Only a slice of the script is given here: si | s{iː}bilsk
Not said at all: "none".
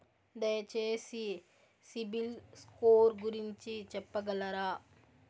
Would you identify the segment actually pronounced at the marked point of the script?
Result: i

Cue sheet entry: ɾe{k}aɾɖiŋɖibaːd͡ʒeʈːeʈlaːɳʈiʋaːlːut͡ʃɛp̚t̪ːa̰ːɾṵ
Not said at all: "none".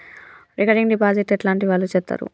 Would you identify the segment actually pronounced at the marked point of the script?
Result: k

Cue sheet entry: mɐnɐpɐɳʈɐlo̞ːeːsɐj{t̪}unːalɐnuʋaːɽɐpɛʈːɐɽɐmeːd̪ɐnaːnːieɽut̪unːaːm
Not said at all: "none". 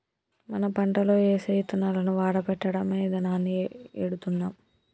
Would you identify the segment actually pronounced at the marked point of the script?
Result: t̪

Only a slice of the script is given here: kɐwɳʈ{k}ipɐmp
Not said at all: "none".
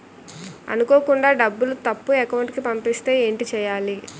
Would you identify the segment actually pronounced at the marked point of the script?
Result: k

